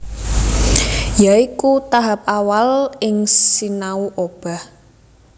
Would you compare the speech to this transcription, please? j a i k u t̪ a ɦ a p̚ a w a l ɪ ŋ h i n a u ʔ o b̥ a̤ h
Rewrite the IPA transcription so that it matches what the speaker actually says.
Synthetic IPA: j a i k u t̪ a ɦ a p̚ a w a l ɪ ŋ s i n a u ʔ o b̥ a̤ h